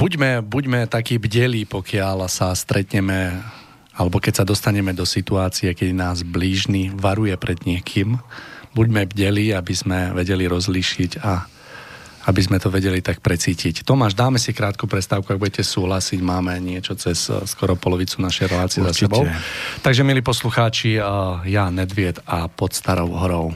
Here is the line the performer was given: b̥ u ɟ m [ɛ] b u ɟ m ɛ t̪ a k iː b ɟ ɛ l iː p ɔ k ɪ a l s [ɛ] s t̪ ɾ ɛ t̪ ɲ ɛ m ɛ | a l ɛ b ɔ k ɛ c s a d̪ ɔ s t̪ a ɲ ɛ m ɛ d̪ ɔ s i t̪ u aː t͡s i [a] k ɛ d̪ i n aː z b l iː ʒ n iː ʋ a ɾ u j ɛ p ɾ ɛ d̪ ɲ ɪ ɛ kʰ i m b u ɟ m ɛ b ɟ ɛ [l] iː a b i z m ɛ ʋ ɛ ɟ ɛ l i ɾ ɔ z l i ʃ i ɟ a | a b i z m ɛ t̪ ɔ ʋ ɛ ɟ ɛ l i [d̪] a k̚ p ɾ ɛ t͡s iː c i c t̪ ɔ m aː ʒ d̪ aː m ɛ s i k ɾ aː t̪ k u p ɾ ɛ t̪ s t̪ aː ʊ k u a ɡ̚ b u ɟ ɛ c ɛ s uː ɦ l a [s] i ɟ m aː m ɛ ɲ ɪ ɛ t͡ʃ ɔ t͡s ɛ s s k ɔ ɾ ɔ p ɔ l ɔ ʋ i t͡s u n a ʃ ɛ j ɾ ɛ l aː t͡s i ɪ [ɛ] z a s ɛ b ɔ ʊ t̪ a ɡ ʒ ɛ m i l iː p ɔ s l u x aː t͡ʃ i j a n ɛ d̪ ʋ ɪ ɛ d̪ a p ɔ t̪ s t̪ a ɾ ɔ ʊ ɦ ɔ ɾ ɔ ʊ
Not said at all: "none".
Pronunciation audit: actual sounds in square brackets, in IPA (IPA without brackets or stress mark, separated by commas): ɛ, a, ɛ, l, t̪, s, ɛ